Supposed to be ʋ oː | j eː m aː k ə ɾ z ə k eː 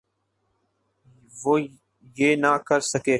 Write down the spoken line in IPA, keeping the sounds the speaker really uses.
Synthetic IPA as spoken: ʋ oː | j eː n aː k ə ɾ s ə k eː